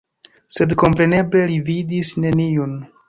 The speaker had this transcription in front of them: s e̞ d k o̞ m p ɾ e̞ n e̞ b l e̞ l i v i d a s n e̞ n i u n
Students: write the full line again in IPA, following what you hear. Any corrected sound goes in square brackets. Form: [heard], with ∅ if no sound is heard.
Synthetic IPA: s e̞ d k o̞ m p ɾ e̞ n e̞ b l e̞ l i v i d [i] s n e̞ n i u n